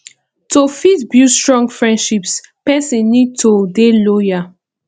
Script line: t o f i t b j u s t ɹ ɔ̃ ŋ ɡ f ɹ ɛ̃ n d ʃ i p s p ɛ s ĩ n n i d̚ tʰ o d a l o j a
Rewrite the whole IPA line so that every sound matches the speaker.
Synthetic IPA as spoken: t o f i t b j u s t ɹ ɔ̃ ŋ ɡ f ɹ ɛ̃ n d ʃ i p s p ɛ s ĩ n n i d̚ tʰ o d e l o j a